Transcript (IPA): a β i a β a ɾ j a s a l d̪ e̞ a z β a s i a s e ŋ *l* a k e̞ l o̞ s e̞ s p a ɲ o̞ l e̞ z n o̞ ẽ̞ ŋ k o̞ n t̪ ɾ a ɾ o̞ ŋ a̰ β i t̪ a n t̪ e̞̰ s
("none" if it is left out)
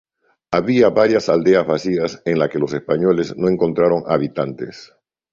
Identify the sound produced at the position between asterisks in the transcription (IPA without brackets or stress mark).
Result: l